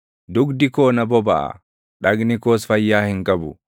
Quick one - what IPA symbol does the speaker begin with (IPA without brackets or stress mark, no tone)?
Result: d̪